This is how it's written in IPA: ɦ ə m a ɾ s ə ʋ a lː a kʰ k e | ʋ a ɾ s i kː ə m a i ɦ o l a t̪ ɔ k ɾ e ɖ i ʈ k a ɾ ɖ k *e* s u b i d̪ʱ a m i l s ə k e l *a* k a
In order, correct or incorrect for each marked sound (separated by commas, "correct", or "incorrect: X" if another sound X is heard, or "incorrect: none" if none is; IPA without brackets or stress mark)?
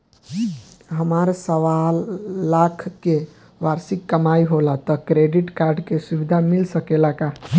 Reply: correct, correct